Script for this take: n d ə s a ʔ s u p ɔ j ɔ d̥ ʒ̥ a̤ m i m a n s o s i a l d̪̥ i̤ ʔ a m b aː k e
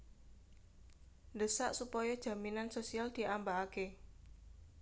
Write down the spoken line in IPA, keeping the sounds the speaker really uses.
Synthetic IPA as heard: n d ə s a ʔ s u p ɔ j ɔ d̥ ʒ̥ a̤ m i n a n s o s i a l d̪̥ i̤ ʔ a m b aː k e